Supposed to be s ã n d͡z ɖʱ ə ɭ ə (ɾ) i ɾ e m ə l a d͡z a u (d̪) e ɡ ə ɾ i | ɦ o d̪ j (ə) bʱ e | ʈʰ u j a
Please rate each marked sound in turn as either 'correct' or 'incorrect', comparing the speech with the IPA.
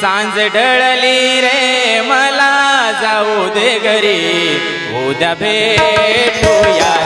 incorrect: l, correct, incorrect: a

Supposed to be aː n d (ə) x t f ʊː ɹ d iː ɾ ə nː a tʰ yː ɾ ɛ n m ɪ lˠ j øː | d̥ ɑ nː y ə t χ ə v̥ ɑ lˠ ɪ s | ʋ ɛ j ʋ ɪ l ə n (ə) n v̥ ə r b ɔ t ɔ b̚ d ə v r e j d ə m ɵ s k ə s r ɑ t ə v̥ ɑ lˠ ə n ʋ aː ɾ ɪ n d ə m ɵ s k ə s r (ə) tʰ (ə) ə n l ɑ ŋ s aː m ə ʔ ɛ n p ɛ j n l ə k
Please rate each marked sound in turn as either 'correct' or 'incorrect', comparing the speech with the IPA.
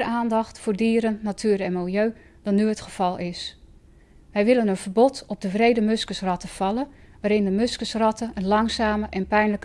incorrect: ɑ, correct, incorrect: ɑ, correct

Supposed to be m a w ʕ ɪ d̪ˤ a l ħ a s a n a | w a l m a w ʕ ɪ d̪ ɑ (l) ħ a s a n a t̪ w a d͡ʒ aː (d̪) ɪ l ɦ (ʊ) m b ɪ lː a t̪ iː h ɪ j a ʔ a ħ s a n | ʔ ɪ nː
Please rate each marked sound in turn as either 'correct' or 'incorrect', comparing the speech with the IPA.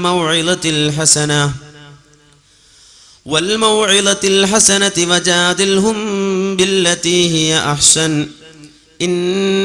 correct, correct, correct

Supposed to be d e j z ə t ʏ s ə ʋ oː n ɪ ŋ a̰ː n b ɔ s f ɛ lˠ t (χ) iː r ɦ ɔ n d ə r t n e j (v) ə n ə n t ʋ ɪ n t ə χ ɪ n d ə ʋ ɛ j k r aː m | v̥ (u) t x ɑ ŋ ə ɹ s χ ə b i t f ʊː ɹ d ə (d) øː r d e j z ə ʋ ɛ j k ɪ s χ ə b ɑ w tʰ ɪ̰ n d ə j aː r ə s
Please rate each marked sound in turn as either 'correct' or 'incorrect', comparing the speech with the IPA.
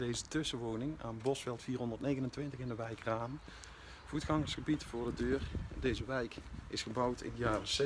incorrect: f, incorrect: ɣ, correct, correct

